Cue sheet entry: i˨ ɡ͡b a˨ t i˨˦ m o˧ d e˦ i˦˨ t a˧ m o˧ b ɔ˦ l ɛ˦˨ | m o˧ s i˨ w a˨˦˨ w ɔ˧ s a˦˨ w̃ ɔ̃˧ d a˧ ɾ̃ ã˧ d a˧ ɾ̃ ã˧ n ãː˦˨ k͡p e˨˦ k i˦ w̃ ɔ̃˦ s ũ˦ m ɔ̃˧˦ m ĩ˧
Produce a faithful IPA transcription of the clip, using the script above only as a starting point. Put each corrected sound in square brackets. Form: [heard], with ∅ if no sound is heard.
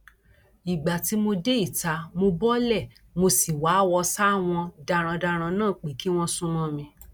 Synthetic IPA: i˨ ɡ͡b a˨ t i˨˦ m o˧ d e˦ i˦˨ t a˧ m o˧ b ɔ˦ l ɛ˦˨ | m o˧ s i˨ w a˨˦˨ w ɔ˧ s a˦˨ w̃ ɔ̃˧ d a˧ ɾ̃ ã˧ d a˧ ɾ̃ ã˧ n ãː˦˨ k͡p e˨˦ k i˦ w̃ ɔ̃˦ s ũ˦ m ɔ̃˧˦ m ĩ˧